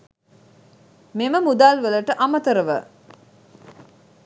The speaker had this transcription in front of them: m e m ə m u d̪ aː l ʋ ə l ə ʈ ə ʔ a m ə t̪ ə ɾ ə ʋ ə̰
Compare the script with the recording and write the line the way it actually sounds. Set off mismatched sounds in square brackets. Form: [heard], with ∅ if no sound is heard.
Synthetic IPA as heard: m e m ə m u d̪ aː l ʋ ə l ə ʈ ə ʔ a m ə t̪ ə ɾ ə ʋ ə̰